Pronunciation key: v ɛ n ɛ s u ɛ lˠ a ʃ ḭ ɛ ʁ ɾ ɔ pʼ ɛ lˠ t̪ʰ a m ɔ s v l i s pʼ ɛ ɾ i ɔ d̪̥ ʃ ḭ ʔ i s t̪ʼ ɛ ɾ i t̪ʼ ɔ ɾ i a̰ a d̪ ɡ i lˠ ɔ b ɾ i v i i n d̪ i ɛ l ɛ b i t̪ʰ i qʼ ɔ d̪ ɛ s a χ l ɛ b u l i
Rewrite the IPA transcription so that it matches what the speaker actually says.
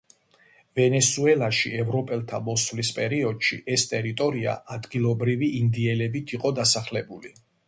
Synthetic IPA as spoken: v ɛ n ɛ s u ɛ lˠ a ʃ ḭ ɛ v ɾ ɔ pʼ ɛ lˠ t̪ʰ a m ɔ s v l i s pʼ ɛ ɾ i ɔ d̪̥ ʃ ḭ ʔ ɛ s t̪ʼ ɛ ɾ i t̪ʼ ɔ ɾ i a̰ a d̪ ɡ i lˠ ɔ b ɾ i v i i n d̪ i ɛ l ɛ b i t̪ʰ i qʼ ɔ d̪ a s a χ l ɛ b u l i

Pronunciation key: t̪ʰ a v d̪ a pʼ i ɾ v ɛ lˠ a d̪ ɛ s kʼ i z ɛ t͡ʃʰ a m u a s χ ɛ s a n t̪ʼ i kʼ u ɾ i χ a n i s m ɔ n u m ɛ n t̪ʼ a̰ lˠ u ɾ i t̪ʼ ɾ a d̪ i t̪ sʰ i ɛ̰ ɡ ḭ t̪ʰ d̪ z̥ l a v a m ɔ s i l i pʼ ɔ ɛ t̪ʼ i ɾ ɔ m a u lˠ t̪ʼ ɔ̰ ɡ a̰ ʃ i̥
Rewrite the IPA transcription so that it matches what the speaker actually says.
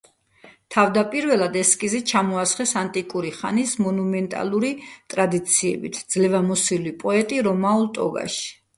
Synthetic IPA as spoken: t̪ʰ a v d̪ a pʼ i ɾ v ɛ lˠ a d̪ ɛ s kʼ i z ɛ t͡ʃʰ a m ɔ a s χ ɛ s a n t̪ʼ i kʼ u ɾ i χ a n i s m ɔ n u m ɛ n t̪ʼ a̰ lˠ u ɾ i t̪ʼ ɾ a d̪ i t̪ sʰ i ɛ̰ b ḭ t̪ʰ d̪ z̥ l ɛ v a m ɔ s i l i pʼ ɔ ɛ t̪ʼ i ɾ ɔ m a u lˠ t̪ʼ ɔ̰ ɡ a̰ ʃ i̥

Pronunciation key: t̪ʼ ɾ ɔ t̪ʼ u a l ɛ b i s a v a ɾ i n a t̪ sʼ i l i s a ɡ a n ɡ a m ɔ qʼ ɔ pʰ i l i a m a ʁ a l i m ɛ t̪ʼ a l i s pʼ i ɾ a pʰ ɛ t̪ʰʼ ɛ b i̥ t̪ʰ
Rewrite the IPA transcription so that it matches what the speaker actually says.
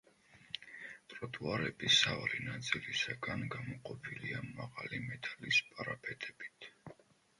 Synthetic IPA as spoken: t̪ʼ ɾ ɔ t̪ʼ u a ɾ ɛ b i s a v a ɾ i n a t̪ sʼ i l i s a ɡ a n ɡ a m ɔ qʼ ɔ pʰ i l i a m a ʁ a l i m ɛ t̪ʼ a l i s pʼ a ɾ a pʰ ɛ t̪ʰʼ ɛ b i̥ t̪ʰ

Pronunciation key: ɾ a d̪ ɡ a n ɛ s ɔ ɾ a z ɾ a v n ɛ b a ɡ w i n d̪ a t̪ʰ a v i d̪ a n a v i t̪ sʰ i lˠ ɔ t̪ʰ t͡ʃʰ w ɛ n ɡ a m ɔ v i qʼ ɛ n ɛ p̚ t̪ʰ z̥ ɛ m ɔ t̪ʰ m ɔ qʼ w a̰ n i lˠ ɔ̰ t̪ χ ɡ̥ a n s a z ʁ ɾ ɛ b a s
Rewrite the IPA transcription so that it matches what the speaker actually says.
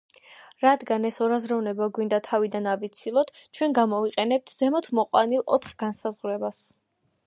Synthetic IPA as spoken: ɾ a d̪ ɡ a n ɛ s ɔ ɾ a z ɾ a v n ɛ b a ɡ w i n d̪ a t̪ʰ a v i d̪ a n a v i t̪ sʰ i lˠ ɔ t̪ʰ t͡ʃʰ w ɛ n ɡ a m ɔ v i qʼ ɛ n ɛ p̚ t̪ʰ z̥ ɛ m ɔ t̪ʰ m ɔ qʼ w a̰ n i lˠ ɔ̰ t̪ χ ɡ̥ a n s a z ʁ ɾ ɛ b a s

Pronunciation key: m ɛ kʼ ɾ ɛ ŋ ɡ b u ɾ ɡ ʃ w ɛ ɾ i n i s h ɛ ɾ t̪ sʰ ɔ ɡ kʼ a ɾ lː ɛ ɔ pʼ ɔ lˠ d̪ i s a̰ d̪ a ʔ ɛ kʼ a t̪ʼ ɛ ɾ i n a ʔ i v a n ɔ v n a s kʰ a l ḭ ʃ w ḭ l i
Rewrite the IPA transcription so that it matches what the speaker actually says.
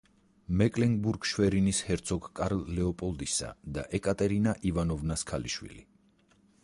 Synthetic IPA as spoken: m ɛ kʼ l ɛ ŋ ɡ b u ɾ ɡ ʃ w ɛ ɾ i n i s h ɛ ɾ t̪ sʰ ɔ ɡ kʼ a ɾ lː ɛ ɔ pʼ ɔ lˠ d̪ i s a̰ d̪ a ʔ ɛ kʼ a t̪ʼ ɛ ɾ i n a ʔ i v a n ɔ v n a s kʰ a l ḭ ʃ w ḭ l i

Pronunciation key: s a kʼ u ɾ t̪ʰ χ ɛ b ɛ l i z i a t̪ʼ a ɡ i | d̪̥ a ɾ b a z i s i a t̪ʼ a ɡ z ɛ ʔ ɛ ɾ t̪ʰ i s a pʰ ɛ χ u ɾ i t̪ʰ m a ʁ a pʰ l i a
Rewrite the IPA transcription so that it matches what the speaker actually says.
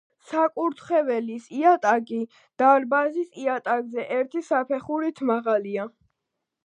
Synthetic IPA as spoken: s a kʼ u ɾ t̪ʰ χ ɛ v ɛ l i s i a t̪ʼ a ɡ i | d̪̥ a ɾ b a z i s i a t̪ʼ a ɡ z ɛ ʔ ɛ ɾ t̪ʰ i s a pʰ ɛ χ u ɾ i t̪ʰ m a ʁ a l i a

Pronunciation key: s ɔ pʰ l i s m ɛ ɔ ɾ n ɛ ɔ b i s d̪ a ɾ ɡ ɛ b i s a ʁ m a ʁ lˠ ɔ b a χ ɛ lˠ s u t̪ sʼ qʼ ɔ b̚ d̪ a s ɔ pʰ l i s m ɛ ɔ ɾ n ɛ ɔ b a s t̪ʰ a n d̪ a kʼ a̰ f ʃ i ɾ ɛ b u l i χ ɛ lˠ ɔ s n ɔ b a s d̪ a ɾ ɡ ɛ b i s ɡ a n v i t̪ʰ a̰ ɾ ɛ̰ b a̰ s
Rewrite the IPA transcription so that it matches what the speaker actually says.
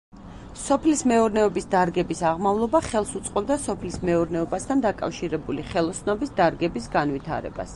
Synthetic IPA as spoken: s ɔ pʰ l i s m ɛ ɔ ɾ n ɛ ɔ b i s d̪ a ɾ ɡ ɛ b i s a ʁ m a v lˠ ɔ b a χ ɛ lˠ s u t̪ sʼ qʼ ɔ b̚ d̪ a s ɔ pʰ l i s m ɛ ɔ ɾ n ɛ ɔ b a s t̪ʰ a n d̪ a kʼ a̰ f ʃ i ɾ ɛ b u l i χ ɛ lˠ ɔ s n ɔ b i s d̪ a ɾ ɡ ɛ b i s ɡ a n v i t̪ʰ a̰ ɾ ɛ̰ b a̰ s

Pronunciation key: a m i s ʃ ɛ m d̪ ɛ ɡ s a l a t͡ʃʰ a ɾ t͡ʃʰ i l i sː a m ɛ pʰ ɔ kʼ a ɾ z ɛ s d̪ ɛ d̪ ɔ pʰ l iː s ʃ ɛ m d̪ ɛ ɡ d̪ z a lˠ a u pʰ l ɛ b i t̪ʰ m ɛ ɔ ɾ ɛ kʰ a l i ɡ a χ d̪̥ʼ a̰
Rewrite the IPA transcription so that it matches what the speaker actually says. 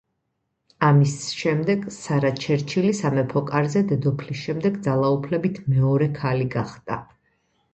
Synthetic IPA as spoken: a m i s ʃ ɛ m d̪ ɛ ɡ s a ɾ a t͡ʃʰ ɛ ɾ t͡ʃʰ i l i s a m ɛ pʰ ɔ kʼ a ɾ z ɛ d̪ ɛ d̪ ɔ pʰ l i s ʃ ɛ m d̪ ɛ ɡ d̪ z a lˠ a u pʰ l ɛ b i t̪ʰ m ɛ ɔ ɾ ɛ kʰ a l i ɡ a χ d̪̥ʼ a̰

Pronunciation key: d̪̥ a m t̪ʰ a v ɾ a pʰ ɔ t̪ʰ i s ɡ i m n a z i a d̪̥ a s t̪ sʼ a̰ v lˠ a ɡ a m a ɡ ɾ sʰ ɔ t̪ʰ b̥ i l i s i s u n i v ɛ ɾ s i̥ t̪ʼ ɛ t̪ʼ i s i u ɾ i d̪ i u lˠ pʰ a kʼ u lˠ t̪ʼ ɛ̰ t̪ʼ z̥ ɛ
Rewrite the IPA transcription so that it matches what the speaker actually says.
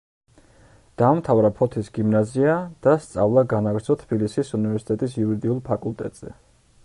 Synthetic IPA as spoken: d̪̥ a m t̪ʰ a v ɾ a pʰ ɔ t̪ʰ i s ɡ i m n a z i a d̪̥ a s t̪ sʼ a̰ v lˠ a ɡ a n a ɡ ɾ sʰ ɔ t̪ʰ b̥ i l i s i s u n i v ɛ ɾ s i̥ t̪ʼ ɛ t̪ʼ i s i u ɾ i d̪ i u lˠ pʰ a kʼ u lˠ t̪ʼ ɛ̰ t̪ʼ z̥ ɛ

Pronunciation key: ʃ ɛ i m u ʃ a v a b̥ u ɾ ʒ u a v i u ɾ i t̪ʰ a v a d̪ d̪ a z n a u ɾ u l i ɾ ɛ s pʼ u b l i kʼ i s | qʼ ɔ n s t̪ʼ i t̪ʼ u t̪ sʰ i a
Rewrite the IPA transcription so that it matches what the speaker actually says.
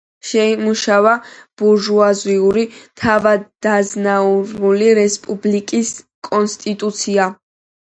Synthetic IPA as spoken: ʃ ɛ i m u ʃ a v a b̥ u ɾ ʒ u a z i u ɾ i t̪ʰ a v a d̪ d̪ a z n a u ɾ u l i ɾ ɛ s pʼ u b l i kʼ i s | kʼ ɔ n s t̪ʼ i t̪ʼ u t̪ sʰ i a

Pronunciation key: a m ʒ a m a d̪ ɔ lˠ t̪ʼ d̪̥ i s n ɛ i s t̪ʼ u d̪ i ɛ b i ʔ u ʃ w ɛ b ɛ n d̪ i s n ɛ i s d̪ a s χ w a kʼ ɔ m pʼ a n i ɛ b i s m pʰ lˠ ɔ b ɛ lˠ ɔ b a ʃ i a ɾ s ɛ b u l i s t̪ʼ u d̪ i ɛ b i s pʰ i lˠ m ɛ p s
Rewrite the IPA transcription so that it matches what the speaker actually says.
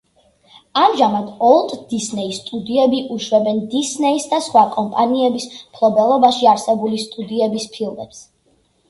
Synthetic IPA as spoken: a m ʒ a m a d̪ ɔ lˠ t̪ʼ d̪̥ i s n ɛ i s t̪ʼ u d̪ i ɛ b i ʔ u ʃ w ɛ b ɛ n d̪ i s n ɛ i s d̪ a s χ w a kʼ ɔ m pʼ a n i ɛ b i s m pʰ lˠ ɔ b ɛ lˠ ɔ b a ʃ i a ɾ s ɛ b u l i s t̪ʼ u d̪ i ɛ b i s pʰ i lˠ m ɛ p s

